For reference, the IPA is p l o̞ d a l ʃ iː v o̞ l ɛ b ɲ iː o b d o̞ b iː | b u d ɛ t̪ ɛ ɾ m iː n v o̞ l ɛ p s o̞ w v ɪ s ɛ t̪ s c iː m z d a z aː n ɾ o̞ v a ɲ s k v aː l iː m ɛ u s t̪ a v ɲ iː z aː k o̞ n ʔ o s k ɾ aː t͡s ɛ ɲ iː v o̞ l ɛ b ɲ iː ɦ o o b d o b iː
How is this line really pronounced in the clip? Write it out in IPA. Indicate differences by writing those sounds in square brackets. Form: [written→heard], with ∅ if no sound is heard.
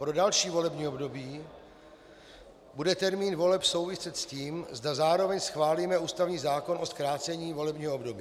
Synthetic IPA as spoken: p [l→ɾ] o̞ d a l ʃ iː v o̞ l ɛ b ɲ iː o b d o̞ b iː | b u d ɛ t̪ ɛ ɾ m iː n v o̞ l ɛ p s o̞ w v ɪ s ɛ t̪ s c iː m z d a z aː [n→∅] ɾ o̞ v [a→ɛ] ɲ s [k→x] v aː l iː m ɛ [u→uː] s t̪ a v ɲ iː z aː k o̞ n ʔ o s k ɾ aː t͡s ɛ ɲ iː v o̞ l ɛ b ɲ iː ɦ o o b d o b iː